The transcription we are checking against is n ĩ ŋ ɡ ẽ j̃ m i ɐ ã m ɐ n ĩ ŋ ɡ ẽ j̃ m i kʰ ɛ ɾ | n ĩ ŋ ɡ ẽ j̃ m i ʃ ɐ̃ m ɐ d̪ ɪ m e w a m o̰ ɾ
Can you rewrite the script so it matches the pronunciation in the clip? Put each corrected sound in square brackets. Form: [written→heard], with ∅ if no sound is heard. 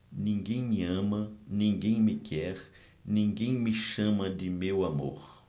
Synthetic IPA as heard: n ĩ ŋ ɡ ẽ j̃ m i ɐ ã m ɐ n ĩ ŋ ɡ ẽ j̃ m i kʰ ɛ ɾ | n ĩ ŋ ɡ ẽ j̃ m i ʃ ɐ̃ m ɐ d̪ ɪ m e w a m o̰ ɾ